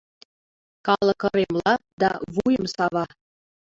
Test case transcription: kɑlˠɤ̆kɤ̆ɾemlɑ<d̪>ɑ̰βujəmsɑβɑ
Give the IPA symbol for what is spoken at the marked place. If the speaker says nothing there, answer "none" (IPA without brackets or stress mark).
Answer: d̪